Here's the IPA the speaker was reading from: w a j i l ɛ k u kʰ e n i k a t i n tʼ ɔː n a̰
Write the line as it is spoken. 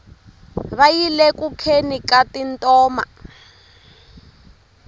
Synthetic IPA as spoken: β a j i l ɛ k u kʰ e n i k a t i n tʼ ɔː m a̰